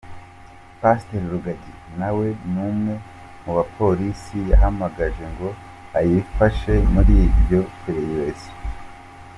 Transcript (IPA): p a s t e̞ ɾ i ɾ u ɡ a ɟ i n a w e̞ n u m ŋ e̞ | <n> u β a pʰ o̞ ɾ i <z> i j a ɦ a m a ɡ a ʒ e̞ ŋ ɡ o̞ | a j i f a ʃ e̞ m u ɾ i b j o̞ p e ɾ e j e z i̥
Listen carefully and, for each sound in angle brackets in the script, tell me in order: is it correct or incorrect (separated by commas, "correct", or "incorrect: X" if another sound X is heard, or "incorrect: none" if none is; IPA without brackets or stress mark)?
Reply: incorrect: m, incorrect: s